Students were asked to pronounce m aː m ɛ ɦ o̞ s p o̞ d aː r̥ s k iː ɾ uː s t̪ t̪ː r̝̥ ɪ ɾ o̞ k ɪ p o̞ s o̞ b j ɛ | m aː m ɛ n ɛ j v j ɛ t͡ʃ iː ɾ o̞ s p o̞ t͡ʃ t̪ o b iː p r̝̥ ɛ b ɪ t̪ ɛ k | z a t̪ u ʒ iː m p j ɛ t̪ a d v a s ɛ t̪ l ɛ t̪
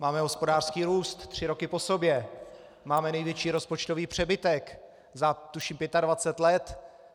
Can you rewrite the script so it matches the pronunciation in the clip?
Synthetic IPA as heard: m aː m ɛ ɦ o̞ s p o̞ d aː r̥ s k iː ɾ uː s t̪ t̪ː r̝̥ ɪ ɾ o̞ k ɪ p o̞ s o̞ b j ɛ | m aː m ɛ n ɛ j v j ɛ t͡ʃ iː ɾ o̞ s p o̞ t͡ʃ t̪ o v iː p r̝̥ ɛ b ɪ t̪ ɛ k | z a t̪ u ʃ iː m p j ɛ t̪ a d v a t͡s ɛ t̪ l ɛ t̪